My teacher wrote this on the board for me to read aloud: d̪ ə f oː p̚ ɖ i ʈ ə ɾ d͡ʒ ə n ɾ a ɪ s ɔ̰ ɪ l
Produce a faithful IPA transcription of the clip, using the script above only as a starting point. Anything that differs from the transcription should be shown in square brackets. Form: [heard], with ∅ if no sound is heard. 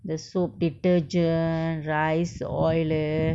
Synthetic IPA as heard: d̪ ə [s] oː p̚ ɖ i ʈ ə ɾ d͡ʒ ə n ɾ a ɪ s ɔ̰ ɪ l